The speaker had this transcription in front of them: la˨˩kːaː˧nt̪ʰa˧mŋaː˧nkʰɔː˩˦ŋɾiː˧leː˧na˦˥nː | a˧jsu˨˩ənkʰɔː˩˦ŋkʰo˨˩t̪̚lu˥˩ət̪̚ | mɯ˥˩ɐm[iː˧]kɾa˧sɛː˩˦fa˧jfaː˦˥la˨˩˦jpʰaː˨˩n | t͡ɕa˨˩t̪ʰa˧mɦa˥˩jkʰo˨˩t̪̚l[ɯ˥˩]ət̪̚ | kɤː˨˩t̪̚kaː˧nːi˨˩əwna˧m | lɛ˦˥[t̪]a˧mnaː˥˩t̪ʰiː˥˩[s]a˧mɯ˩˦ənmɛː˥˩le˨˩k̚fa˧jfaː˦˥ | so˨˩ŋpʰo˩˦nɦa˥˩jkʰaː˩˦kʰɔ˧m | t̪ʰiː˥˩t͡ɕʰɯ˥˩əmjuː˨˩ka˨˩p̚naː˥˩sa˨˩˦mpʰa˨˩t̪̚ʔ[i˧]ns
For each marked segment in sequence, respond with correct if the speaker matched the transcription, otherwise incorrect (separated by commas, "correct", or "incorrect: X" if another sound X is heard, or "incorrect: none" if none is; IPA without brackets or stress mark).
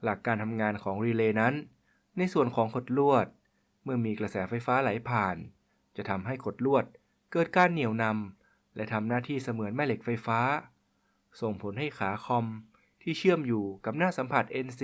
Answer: correct, incorrect: u˥˩, incorrect: t̪ʰ, correct, incorrect: e˧